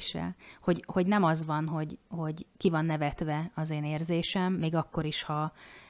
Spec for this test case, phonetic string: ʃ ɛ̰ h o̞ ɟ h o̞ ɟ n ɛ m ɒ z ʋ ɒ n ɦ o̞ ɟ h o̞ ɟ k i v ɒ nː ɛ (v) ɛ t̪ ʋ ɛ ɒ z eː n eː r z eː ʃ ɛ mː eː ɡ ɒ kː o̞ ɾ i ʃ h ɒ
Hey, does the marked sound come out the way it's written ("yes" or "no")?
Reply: yes